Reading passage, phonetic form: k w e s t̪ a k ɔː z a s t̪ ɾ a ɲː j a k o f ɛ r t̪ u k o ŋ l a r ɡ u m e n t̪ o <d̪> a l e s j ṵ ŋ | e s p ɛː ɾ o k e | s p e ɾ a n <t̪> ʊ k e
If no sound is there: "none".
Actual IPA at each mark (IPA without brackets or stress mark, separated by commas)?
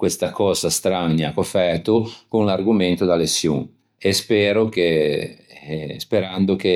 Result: d̪, d̪